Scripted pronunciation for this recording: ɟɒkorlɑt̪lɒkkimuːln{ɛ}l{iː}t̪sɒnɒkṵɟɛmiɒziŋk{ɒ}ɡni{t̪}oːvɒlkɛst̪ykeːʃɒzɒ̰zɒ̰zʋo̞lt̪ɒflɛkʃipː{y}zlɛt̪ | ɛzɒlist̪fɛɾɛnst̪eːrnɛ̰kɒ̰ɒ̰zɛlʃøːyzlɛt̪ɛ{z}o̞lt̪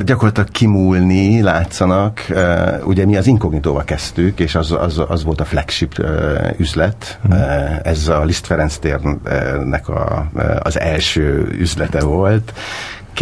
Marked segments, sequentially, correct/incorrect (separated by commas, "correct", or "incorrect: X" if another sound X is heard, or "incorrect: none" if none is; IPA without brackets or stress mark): incorrect: i, incorrect: aː, incorrect: o, correct, correct, incorrect: v